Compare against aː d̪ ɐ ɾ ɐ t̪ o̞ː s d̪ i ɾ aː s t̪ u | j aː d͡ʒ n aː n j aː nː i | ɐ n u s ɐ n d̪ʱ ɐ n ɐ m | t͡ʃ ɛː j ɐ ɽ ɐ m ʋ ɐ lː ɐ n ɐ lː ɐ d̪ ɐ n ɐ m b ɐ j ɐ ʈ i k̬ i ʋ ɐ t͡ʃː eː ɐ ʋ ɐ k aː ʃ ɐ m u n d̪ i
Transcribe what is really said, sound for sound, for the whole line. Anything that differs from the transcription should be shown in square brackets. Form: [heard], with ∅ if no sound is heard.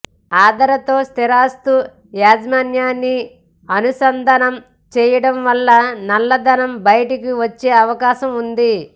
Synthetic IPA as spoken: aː d̪ ɐ ɾ ɐ t̪ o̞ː s [t̪] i ɾ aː s t̪ u | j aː d͡ʒ [m] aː n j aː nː i | ɐ n u s ɐ n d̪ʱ ɐ n ɐ m | t͡ʃ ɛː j ɐ ɽ ɐ m ʋ ɐ lː ɐ n ɐ lː ɐ d̪ ɐ n ɐ m b ɐ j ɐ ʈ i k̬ i ʋ ɐ t͡ʃː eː ɐ ʋ ɐ k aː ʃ ɐ m u n d̪ i